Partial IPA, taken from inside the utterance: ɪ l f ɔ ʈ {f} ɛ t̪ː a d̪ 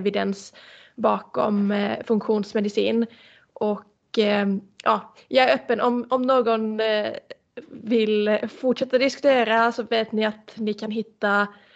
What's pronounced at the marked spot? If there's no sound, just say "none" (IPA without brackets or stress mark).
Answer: ʂ